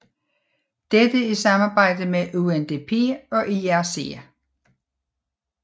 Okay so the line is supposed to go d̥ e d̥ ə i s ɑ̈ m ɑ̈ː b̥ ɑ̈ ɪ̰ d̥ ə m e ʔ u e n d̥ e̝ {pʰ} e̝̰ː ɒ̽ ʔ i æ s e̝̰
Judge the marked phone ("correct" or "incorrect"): correct